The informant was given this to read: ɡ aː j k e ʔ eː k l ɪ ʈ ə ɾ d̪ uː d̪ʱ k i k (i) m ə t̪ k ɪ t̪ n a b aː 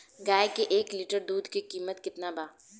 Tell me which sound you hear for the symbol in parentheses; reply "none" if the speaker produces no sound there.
iː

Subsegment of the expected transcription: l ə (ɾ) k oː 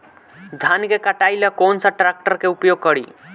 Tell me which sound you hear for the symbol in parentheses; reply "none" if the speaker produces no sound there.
none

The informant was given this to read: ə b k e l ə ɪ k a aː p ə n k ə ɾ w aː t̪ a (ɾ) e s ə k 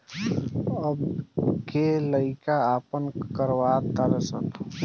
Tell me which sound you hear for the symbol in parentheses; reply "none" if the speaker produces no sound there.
ɾ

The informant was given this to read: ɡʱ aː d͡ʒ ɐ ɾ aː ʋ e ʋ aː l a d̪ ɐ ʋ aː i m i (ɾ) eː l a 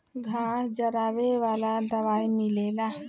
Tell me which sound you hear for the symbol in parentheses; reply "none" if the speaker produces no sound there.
l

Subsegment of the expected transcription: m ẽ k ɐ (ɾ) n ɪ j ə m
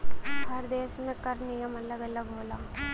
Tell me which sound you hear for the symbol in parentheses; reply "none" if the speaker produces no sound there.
ɾ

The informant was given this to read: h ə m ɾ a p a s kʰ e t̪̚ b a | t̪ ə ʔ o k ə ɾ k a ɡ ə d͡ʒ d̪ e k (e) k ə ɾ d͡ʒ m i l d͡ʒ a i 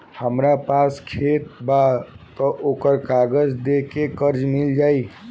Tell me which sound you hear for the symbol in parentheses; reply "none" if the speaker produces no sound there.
e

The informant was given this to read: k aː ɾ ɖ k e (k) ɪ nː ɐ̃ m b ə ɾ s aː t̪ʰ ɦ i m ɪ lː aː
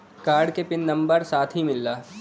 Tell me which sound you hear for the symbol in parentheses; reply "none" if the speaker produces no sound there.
p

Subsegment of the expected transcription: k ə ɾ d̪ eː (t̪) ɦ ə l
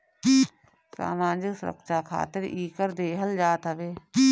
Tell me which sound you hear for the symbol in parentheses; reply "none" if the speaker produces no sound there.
none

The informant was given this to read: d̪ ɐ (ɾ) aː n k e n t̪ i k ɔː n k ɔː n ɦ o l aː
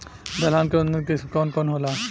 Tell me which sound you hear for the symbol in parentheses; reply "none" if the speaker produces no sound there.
l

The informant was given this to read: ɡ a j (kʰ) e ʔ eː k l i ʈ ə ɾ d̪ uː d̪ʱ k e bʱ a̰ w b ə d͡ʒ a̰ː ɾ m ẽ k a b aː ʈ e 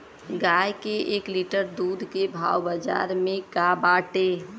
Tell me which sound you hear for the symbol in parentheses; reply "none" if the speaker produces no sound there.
k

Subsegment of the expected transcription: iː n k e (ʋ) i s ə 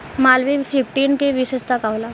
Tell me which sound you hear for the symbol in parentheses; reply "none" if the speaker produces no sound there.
ʋ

